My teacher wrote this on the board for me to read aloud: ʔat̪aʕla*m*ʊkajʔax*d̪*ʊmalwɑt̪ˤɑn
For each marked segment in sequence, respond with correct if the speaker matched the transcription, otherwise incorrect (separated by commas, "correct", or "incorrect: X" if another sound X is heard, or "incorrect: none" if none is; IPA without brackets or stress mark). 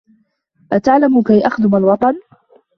correct, correct